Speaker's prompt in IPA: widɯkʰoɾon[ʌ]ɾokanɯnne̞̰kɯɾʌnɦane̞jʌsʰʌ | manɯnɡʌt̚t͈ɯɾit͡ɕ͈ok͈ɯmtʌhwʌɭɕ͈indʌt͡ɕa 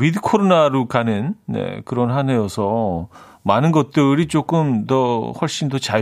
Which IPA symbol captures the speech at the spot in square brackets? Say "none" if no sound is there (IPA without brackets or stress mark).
a